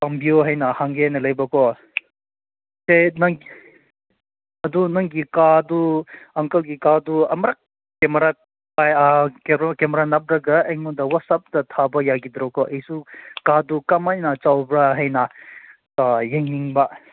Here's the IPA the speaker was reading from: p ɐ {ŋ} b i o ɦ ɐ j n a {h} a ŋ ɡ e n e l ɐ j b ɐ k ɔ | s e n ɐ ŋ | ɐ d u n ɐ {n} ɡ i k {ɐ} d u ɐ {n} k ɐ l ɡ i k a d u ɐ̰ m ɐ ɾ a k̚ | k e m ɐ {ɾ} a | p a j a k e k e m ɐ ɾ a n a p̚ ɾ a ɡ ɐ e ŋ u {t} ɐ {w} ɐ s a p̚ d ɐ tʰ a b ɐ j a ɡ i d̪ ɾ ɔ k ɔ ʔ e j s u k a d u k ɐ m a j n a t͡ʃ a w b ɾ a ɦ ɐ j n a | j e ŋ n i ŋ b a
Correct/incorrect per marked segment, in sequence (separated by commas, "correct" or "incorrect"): incorrect, correct, incorrect, incorrect, incorrect, correct, incorrect, correct